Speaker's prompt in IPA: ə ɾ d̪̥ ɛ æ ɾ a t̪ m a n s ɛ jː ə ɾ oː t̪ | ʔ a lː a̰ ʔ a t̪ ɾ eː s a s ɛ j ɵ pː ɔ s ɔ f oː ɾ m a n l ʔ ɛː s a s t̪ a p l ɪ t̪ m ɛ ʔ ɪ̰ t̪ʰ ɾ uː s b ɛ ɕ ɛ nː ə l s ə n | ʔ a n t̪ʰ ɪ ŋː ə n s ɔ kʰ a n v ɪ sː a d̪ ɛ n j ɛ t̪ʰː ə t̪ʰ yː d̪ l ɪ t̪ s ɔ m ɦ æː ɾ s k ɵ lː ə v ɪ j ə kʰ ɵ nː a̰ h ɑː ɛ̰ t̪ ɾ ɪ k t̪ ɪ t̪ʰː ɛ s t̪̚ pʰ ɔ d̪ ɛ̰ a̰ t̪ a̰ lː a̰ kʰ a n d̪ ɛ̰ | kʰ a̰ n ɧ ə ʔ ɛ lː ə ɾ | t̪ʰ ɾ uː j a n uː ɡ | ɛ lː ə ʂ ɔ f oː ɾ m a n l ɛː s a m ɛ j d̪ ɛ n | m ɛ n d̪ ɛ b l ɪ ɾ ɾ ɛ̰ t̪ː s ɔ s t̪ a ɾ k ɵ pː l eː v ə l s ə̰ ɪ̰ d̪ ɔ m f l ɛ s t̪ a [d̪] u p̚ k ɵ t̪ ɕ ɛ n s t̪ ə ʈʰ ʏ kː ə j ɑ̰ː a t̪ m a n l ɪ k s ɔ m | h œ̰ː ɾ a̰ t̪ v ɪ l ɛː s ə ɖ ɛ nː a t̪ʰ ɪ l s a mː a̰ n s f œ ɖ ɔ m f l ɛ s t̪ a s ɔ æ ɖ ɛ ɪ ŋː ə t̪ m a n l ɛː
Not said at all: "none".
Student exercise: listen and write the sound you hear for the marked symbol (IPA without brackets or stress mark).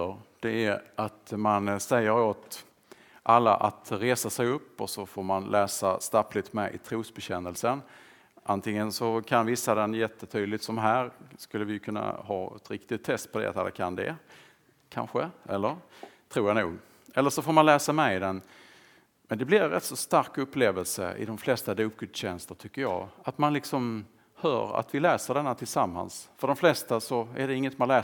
d̪